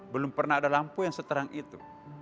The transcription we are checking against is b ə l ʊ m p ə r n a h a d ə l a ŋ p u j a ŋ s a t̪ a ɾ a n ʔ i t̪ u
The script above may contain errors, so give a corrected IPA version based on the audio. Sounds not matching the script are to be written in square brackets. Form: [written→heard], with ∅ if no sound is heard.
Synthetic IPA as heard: b ə l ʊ m p ə r n a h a d [ə→a] l a [ŋ→m] p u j a ŋ s [a→ə] t̪ [a→ə] ɾ a [n→ŋ] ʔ i t̪ u